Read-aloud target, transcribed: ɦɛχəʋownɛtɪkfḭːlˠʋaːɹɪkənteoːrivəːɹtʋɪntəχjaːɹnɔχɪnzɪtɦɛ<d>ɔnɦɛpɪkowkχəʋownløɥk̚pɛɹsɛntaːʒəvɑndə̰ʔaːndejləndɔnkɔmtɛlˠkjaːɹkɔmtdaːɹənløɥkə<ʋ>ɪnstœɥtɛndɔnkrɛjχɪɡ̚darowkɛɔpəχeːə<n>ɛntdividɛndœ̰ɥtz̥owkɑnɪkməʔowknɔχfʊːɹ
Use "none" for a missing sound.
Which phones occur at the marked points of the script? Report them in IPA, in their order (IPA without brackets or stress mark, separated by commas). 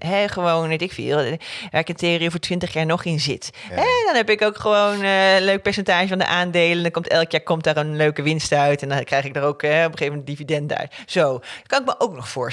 d, ʋ, m